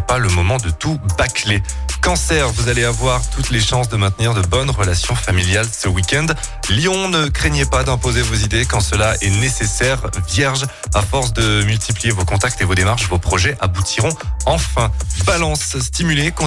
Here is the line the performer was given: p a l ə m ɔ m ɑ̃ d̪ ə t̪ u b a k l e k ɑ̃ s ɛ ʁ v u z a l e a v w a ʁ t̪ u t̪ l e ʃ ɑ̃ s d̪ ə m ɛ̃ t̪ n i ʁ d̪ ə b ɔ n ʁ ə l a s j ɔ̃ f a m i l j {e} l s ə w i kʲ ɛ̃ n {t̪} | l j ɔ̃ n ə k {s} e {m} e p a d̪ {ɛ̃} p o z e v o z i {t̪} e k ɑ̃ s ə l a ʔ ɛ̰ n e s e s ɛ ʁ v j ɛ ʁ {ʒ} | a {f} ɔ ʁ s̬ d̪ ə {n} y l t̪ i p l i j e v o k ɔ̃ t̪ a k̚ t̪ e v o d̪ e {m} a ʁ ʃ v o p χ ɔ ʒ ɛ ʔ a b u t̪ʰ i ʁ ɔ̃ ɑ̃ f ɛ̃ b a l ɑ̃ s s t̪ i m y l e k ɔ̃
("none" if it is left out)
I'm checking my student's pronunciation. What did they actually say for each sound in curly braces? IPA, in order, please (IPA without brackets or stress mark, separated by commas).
a, d̪, χ, ɲ, ɛ̃, d̪, ʒ, f, m, m